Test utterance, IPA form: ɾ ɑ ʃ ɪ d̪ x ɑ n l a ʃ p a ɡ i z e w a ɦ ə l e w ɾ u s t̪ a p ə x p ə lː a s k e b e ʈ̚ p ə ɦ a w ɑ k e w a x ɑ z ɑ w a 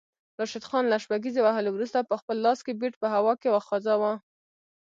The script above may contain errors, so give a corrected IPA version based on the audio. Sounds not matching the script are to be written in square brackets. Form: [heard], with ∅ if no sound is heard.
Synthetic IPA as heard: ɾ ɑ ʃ ɪ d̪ x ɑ n l a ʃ p a ɡ i z e w a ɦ ə l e w ɾ u s t̪ a p ə x p ə lː [ɑ] s k e b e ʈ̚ p ə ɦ a w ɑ k e w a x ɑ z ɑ w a